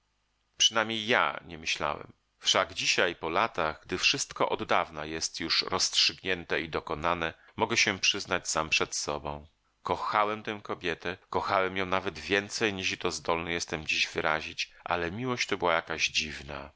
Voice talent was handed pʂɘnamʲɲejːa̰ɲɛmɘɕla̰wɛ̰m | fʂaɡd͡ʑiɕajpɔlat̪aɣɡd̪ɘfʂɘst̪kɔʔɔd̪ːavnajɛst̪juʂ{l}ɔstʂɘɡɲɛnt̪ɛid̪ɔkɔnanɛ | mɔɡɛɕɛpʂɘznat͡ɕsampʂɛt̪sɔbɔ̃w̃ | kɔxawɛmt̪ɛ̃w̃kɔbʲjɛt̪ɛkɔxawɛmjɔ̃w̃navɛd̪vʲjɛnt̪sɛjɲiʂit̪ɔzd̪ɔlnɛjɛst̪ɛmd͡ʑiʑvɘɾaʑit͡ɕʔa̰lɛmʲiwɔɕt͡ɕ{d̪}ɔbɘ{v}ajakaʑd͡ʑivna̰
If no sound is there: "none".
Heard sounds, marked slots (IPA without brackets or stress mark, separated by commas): ɾ, t̪, w